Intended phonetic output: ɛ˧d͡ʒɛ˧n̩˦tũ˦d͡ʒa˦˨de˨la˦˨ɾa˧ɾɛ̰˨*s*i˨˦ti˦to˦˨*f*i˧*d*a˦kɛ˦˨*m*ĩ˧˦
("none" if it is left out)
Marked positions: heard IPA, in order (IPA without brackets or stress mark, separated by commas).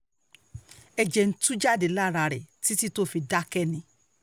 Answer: t, f, d, n